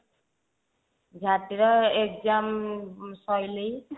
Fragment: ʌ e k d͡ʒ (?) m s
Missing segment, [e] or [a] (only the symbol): a